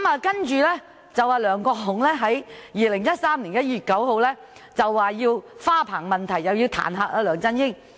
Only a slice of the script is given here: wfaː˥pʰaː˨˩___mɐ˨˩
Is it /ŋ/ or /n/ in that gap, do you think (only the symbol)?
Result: ŋ